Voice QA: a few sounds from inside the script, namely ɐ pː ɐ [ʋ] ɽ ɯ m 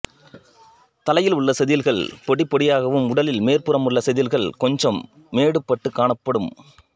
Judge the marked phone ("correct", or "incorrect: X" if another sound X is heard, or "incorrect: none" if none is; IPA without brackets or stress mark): incorrect: none